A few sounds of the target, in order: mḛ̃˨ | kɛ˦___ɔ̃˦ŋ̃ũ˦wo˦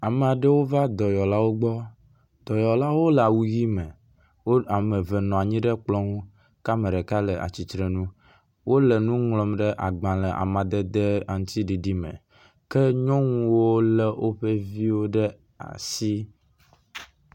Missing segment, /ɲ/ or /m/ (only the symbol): ɲ